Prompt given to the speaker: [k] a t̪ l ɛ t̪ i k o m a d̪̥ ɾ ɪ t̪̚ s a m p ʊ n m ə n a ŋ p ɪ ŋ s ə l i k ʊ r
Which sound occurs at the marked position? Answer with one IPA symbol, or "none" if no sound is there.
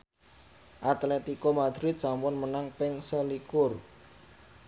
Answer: ʔ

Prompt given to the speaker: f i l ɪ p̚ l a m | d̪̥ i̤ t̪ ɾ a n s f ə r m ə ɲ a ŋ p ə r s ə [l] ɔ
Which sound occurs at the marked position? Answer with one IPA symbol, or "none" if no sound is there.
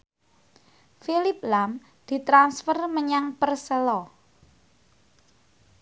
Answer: l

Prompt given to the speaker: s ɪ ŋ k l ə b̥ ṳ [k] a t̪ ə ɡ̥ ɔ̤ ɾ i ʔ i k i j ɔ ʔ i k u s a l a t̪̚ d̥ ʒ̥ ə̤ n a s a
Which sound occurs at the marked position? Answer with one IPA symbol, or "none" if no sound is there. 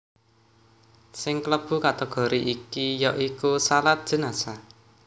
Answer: k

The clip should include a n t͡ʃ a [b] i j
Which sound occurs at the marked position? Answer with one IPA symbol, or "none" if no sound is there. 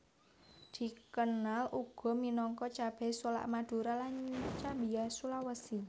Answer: b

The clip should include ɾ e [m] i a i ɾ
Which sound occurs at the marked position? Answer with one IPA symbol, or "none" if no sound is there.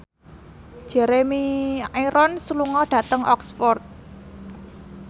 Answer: m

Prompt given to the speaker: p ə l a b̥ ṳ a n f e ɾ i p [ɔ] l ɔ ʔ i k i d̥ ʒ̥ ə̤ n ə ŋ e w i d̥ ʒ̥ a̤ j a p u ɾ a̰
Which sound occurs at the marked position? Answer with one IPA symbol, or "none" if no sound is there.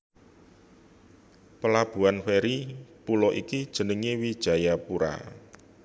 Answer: u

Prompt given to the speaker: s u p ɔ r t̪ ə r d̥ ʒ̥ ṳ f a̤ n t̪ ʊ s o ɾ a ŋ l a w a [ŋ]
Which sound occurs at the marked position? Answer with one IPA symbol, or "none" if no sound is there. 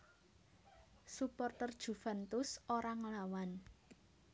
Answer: n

